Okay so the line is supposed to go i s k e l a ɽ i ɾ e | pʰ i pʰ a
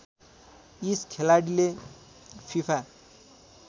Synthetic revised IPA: i s kʰ e l a ɽ i l e | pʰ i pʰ a